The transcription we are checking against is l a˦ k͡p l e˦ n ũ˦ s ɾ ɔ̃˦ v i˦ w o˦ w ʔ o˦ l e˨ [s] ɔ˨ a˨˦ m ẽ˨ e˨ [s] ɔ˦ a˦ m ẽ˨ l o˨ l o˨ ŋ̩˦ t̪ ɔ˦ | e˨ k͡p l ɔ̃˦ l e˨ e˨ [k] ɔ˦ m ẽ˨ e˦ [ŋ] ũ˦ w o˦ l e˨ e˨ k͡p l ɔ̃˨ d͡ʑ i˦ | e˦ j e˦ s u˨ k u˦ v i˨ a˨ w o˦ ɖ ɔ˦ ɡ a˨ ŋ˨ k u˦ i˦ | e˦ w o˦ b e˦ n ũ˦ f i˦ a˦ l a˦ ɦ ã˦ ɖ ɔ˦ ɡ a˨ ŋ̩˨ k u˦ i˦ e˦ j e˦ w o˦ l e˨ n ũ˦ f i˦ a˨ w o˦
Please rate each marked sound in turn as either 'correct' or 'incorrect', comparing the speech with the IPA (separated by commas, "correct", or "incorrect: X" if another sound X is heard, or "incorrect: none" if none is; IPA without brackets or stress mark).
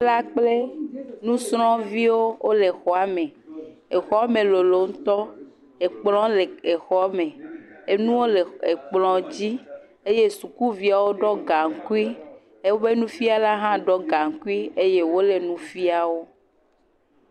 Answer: incorrect: x, incorrect: x, incorrect: x, incorrect: n